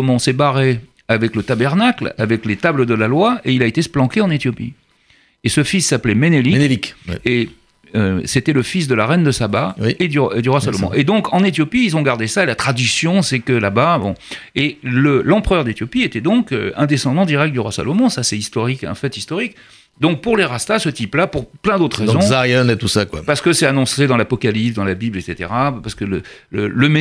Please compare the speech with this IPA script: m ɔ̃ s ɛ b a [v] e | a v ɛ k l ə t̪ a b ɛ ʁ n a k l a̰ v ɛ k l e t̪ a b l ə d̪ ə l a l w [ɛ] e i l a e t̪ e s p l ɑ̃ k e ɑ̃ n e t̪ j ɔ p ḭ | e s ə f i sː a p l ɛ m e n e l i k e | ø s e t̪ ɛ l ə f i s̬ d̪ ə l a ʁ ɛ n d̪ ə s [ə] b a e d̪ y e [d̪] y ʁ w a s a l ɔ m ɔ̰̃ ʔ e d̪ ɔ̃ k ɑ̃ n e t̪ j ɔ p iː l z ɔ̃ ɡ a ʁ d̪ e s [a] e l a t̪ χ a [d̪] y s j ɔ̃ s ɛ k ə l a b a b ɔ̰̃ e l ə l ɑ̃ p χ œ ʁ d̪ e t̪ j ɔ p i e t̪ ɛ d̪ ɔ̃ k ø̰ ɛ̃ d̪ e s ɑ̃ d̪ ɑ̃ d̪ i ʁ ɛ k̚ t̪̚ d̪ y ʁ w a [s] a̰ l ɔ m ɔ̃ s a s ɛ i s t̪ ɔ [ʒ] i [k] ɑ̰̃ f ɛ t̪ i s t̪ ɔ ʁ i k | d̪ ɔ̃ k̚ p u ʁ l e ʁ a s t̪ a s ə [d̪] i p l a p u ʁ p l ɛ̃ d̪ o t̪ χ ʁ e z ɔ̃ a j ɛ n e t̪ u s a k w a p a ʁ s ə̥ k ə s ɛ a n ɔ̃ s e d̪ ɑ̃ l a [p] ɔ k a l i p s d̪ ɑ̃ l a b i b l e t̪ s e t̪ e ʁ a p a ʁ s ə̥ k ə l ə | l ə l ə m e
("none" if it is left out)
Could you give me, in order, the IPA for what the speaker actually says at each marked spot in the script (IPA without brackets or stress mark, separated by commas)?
ʁ, a, a, d̪, a, d̪, s, ʁ, k, t̪, p